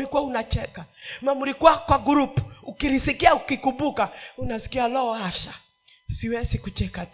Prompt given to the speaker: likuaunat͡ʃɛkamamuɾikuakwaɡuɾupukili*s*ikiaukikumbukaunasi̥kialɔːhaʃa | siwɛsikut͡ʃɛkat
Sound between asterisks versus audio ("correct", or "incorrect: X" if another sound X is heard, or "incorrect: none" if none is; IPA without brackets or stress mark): correct